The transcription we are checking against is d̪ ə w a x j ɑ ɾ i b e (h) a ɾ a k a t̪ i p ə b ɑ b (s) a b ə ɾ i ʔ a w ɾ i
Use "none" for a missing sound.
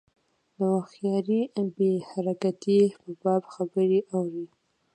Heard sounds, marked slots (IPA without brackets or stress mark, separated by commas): h, x